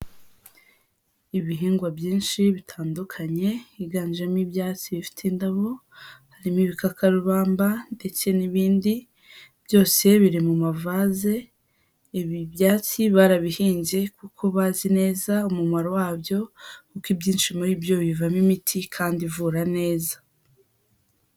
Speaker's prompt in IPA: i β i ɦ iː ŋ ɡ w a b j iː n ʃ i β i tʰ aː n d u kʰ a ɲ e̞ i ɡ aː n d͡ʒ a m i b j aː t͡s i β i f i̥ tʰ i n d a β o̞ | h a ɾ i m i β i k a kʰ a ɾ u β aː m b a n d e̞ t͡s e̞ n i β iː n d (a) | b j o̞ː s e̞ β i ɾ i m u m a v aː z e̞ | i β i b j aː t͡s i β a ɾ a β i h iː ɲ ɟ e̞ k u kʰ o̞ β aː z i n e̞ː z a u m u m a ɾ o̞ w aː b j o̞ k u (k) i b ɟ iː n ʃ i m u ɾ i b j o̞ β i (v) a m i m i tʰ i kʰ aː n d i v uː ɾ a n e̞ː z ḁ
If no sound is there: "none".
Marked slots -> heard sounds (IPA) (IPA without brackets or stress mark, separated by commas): i, k, v